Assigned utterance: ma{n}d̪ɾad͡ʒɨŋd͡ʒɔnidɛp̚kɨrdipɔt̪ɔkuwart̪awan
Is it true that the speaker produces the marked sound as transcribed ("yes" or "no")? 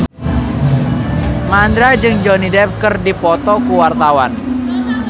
yes